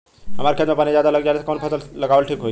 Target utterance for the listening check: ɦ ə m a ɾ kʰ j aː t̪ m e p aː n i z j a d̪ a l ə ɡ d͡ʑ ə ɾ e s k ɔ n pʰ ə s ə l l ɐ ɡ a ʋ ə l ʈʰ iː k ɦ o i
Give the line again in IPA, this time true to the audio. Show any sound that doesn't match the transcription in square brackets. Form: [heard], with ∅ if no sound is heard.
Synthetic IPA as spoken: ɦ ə m a ɾ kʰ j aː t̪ m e p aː n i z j a d̪ a l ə ɡ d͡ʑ [a] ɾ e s k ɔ n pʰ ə s ə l l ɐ ɡ a ʋ ə l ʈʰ iː k ɦ o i